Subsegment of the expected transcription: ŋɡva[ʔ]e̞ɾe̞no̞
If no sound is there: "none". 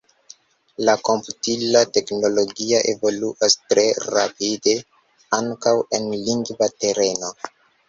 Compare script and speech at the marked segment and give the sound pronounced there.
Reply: t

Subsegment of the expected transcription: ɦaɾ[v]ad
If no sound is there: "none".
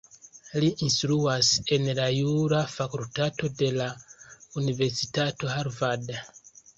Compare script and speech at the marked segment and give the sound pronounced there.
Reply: v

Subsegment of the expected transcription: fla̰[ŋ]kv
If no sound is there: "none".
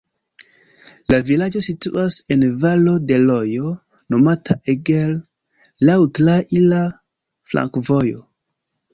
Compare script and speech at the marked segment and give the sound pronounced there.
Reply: ŋ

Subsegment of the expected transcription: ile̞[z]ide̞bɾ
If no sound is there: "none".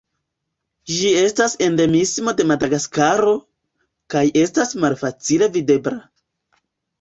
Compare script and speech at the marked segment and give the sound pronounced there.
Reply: v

